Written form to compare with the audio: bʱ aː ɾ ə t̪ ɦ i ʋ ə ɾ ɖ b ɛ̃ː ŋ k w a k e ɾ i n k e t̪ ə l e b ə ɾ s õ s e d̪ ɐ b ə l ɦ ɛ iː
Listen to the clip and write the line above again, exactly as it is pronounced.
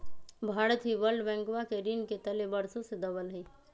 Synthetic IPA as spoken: bʱ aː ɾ ə t̪ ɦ i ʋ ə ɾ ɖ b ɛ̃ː ŋ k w a k e ɾ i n k e t̪ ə l e b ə ɾ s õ s e d̪ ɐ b ə l ɦ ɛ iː